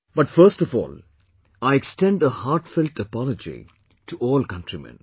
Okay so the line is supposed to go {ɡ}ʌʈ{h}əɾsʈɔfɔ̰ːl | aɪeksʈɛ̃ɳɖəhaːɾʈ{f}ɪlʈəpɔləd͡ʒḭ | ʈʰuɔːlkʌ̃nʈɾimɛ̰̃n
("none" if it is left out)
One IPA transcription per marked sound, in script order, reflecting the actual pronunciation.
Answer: b, f, f

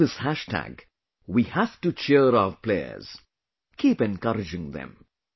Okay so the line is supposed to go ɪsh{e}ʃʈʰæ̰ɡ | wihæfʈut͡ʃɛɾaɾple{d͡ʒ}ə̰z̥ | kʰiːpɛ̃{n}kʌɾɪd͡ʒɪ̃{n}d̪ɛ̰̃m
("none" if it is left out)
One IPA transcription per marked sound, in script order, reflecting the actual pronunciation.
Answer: æ, none, n, ŋ

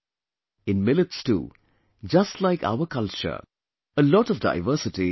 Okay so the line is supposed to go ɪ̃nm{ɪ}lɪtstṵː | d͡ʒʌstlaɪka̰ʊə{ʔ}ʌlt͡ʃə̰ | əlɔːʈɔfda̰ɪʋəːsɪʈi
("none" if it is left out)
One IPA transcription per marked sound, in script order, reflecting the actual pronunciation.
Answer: ɪ, k

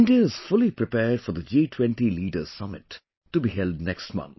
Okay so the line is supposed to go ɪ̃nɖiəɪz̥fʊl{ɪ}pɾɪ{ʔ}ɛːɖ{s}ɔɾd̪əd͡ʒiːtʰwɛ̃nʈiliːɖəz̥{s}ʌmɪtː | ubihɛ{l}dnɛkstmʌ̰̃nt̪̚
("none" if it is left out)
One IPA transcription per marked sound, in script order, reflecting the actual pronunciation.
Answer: i, p, f, s, l

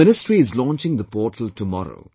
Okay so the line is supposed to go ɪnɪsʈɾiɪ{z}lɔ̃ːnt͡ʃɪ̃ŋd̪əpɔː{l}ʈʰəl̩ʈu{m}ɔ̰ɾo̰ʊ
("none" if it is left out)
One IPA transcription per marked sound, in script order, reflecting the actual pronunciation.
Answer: z, none, m

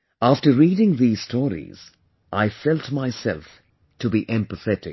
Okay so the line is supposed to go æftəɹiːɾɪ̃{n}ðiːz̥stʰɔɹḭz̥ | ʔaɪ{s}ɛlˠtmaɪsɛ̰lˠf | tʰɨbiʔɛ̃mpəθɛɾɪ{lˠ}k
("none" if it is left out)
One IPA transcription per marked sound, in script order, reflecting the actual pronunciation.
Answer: ŋ, f, none

